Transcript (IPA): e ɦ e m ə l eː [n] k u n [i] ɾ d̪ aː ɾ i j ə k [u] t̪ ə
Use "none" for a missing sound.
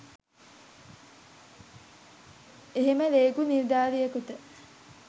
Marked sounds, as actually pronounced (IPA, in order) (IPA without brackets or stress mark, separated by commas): none, i, u